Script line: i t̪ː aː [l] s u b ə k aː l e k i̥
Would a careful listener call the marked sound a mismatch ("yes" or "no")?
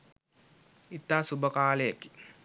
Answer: yes